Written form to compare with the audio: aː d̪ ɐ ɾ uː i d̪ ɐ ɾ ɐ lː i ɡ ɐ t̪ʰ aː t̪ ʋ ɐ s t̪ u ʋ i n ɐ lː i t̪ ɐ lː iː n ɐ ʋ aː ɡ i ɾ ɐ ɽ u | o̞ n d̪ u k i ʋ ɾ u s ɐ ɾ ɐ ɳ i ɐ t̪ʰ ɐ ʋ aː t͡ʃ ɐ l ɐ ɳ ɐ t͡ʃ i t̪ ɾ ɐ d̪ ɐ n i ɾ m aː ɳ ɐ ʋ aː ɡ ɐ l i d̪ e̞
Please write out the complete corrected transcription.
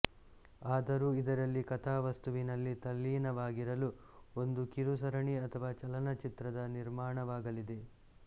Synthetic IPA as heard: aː d̪ ɐ ɾ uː i d̪ ɐ ɾ ɐ lː i k ɐ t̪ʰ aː ʋ ɐ s t̪ u ʋ i n ɐ lː i t̪ ɐ lː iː n ɐ ʋ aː ɡ i ɾ ɐ l u | o̞ n d̪ u k i ɾ u s ɐ ɾ ɐ ɳ i ɐ t̪ʰ ɐ ʋ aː t͡ʃ ɐ l ɐ n ɐ t͡ʃ i t̪ ɾ ɐ d̪ ɐ n i ɾ m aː ɳ ɐ ʋ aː ɡ ɐ l i d̪ e̞